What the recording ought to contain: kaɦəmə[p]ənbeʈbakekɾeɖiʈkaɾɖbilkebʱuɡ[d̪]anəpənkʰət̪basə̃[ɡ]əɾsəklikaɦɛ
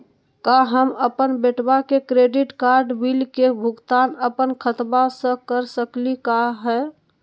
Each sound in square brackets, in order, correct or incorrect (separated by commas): correct, incorrect, incorrect